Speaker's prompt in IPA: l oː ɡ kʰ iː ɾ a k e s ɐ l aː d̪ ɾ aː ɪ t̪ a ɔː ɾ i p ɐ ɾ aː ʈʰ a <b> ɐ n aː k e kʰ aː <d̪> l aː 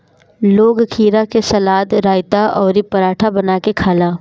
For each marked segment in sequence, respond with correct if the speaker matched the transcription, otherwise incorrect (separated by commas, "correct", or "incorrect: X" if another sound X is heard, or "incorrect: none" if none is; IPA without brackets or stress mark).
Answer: correct, incorrect: none